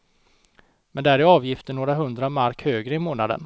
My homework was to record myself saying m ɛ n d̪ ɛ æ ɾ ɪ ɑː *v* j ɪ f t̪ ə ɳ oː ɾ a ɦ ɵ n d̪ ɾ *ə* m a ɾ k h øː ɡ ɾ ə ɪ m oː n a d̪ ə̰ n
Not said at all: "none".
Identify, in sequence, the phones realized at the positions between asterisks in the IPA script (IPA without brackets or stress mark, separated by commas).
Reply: v, a